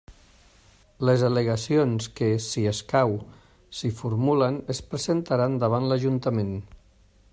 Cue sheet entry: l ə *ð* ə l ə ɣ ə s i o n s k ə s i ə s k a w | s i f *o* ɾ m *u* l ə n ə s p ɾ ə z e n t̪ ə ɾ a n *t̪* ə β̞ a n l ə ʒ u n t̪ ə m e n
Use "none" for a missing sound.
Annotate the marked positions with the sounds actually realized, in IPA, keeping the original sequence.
z, u, u, d̪

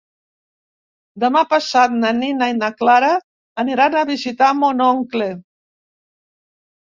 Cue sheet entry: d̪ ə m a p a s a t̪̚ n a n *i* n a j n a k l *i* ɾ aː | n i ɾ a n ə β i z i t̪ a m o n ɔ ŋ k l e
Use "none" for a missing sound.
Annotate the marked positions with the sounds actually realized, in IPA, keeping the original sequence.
i, a

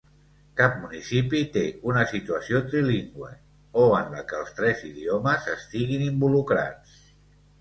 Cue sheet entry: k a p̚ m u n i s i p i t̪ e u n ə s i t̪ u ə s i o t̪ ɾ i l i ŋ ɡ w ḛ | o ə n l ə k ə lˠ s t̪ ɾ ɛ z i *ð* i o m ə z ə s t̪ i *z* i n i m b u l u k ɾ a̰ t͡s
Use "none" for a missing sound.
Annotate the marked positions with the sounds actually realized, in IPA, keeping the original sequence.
ð, ɣ

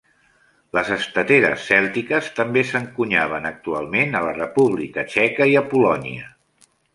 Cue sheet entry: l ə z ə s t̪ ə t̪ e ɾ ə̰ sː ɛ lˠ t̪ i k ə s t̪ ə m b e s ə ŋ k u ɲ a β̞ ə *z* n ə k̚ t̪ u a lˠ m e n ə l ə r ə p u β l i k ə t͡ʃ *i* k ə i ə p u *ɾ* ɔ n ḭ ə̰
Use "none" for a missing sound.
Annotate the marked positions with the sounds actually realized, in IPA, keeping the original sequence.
none, ɛ, l

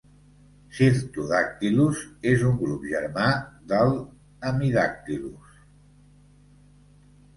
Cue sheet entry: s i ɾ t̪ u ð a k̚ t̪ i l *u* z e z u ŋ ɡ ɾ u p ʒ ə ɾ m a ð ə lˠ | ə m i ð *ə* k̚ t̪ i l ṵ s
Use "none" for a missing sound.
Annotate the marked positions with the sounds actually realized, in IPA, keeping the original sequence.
u, a

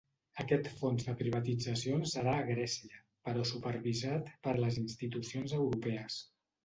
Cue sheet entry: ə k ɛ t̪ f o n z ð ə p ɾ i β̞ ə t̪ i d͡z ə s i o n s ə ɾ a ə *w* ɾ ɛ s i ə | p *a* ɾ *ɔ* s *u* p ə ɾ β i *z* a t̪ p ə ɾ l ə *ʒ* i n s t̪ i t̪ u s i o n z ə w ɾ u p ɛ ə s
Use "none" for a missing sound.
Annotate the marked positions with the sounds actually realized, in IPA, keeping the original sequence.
ɣ, ə, ɔ, u, z, z

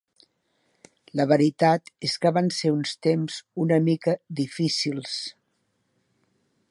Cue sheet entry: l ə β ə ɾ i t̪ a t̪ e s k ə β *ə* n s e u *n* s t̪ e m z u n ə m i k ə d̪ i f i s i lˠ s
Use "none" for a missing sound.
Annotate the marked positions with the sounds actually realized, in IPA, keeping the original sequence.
a, n

